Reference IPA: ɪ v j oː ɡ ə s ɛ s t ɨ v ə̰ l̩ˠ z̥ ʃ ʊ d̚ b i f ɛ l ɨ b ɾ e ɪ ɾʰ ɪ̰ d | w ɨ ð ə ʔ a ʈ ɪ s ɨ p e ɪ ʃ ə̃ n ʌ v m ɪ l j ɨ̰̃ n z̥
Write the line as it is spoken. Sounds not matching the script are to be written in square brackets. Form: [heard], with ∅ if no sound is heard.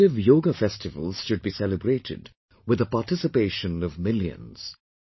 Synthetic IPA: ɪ v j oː ɡ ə [f] ɛ s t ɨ v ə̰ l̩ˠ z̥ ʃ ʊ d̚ b i [s] ɛ l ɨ b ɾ e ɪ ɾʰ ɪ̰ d | w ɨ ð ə [p] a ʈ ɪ s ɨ p e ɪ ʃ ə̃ n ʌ v m ɪ l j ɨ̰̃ n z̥